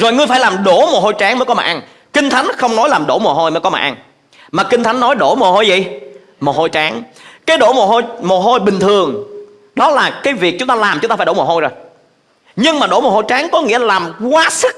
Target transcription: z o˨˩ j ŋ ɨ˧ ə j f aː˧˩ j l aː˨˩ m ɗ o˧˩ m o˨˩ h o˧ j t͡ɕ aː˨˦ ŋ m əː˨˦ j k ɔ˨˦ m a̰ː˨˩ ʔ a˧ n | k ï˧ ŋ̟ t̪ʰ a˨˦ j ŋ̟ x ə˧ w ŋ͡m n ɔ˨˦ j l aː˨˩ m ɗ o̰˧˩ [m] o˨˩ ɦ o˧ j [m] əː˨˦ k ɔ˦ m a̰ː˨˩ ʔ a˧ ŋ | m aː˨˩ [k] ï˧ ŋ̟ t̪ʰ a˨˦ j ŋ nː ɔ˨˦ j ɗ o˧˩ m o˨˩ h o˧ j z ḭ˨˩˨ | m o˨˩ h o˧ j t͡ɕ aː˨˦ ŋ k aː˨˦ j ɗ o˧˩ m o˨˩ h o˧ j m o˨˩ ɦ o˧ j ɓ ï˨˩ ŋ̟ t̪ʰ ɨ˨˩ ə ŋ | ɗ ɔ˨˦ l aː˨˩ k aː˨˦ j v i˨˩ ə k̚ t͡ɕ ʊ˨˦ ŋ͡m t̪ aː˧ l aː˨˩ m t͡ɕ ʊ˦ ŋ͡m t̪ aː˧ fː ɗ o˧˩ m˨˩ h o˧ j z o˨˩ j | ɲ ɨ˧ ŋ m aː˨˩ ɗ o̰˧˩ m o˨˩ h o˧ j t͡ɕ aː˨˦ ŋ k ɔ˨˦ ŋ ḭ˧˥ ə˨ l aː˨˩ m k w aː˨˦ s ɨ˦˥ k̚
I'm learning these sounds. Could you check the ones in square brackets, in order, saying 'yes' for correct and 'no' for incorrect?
yes, yes, yes

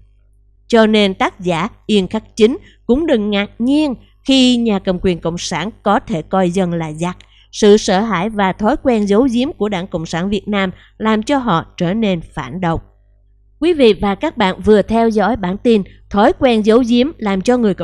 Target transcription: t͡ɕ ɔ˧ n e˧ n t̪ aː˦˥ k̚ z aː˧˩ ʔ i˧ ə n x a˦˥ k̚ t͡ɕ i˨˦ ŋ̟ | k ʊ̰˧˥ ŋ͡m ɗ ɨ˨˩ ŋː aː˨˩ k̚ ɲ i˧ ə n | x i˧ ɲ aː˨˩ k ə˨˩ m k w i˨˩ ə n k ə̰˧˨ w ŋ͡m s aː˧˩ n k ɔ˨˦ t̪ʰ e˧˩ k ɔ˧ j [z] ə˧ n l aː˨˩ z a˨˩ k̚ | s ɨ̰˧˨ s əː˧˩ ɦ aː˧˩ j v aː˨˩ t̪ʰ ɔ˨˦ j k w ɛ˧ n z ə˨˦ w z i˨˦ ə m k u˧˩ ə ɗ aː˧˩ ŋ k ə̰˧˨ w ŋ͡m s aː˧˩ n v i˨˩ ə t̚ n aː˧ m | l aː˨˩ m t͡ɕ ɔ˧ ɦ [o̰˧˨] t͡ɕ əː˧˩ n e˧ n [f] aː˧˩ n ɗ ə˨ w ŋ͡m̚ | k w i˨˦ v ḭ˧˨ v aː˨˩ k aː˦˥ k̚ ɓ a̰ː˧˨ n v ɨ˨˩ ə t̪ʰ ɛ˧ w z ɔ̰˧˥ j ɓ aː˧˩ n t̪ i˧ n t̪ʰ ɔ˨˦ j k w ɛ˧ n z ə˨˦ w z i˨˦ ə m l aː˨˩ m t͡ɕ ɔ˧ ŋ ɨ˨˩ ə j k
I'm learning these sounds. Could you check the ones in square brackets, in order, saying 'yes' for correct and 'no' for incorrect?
yes, no, yes

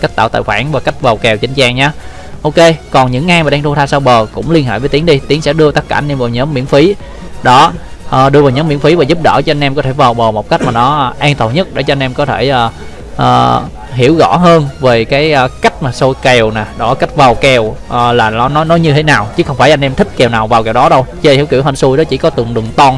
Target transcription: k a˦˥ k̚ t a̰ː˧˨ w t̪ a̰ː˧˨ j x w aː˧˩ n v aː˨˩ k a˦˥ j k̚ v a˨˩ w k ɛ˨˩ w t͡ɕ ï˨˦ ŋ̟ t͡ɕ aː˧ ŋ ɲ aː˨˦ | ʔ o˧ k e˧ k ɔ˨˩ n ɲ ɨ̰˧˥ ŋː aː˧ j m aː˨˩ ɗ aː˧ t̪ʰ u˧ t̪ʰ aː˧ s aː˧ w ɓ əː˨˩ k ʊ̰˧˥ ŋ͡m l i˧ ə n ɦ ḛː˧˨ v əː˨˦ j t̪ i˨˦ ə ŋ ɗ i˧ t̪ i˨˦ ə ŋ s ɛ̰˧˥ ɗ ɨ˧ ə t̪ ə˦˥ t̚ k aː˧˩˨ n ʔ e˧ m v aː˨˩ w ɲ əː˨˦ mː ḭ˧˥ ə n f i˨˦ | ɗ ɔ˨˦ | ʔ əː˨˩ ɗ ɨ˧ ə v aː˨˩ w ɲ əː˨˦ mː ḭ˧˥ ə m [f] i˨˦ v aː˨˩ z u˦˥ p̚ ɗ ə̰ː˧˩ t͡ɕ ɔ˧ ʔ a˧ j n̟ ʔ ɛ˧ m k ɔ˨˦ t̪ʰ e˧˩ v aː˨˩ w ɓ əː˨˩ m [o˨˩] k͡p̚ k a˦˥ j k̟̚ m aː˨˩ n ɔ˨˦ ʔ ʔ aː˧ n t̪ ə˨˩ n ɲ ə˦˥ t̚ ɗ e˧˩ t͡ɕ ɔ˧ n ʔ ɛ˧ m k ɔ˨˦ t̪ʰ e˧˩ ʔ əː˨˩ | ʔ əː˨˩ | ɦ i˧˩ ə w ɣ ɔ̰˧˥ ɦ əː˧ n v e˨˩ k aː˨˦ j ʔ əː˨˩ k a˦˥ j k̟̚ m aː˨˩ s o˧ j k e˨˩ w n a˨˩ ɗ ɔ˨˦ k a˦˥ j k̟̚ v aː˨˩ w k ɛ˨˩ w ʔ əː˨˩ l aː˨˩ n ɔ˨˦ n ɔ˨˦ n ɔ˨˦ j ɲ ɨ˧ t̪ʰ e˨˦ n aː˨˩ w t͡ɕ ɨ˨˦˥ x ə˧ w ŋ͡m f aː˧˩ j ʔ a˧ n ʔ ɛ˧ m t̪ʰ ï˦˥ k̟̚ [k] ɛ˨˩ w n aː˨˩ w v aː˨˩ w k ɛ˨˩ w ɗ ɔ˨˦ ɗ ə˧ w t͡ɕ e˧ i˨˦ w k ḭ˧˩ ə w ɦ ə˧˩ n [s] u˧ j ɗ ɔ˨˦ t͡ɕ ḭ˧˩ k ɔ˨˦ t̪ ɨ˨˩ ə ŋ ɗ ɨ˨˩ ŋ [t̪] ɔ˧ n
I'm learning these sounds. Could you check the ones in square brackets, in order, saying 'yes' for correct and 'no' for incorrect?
yes, yes, yes, yes, yes

